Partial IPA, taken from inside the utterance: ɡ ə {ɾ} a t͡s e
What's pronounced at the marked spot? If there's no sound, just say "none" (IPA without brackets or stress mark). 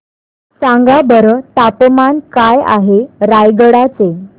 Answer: ɽ